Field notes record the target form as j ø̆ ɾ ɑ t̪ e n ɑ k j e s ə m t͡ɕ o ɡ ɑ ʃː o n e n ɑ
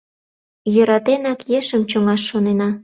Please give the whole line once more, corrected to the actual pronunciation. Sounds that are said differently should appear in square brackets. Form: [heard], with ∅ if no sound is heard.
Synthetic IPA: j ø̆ ɾ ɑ t̪ e n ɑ k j e [ʃ] ə m t͡ɕ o [ŋ] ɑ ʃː o n e n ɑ